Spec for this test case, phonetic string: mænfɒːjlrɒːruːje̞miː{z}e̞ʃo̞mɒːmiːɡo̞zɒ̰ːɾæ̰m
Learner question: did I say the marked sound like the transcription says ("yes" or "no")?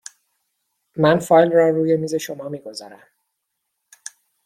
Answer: yes